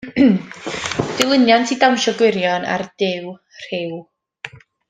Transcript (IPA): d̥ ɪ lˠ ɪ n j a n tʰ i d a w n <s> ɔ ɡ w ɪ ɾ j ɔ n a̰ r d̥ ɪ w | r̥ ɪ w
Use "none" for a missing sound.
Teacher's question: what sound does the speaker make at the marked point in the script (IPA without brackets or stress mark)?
ʃ